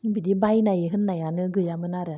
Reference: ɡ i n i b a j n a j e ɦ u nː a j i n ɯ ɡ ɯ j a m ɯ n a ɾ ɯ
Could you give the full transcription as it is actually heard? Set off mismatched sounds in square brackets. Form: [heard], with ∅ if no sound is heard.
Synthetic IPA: [b] i [d] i b a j n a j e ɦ [ɯ] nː a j [a] n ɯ ɡ ɯ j a m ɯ n a ɾ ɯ